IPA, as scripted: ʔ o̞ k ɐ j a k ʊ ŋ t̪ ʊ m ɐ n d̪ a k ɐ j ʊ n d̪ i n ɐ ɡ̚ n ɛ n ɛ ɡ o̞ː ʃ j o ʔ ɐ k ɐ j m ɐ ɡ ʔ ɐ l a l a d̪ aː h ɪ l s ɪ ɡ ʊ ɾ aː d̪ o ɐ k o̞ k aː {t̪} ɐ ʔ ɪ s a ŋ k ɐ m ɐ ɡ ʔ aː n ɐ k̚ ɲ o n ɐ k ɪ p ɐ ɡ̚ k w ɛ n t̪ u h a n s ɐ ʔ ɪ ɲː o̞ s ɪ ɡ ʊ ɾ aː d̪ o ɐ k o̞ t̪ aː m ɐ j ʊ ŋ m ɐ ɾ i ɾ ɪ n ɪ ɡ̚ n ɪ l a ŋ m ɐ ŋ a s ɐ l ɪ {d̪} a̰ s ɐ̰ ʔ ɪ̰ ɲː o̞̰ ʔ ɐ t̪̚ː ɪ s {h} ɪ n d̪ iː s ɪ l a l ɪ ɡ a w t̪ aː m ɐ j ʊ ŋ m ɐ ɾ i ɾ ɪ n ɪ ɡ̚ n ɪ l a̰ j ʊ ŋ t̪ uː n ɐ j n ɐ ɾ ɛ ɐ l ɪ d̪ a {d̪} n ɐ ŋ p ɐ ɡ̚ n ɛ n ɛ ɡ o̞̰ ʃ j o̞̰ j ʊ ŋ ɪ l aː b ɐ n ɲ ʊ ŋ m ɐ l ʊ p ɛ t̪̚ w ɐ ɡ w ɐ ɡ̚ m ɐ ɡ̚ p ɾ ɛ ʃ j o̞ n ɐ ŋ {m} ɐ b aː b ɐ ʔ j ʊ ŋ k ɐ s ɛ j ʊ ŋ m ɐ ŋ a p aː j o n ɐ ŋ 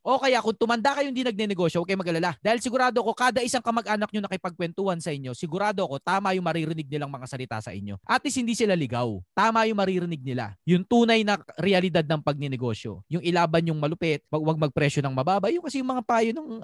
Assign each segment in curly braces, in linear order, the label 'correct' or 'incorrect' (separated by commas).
incorrect, incorrect, correct, correct, correct